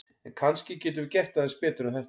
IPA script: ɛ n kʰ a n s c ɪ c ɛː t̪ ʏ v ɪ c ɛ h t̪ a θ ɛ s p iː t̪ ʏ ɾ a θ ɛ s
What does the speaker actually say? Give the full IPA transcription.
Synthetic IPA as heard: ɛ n kʰ a n s c ɪ c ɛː t̪ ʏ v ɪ c ɛ h t̪ a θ ɛ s p ɛː t̪ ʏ ɾ a θ ɛ h